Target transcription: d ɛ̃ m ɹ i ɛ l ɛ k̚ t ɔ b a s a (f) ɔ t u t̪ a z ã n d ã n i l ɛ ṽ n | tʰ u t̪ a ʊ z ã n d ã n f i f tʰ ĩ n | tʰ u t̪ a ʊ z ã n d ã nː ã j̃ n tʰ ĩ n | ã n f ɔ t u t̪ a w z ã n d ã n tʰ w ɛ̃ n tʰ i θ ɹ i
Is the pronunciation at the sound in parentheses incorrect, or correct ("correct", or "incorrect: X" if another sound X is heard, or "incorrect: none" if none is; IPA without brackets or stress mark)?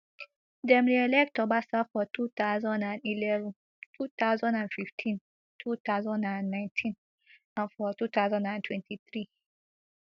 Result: correct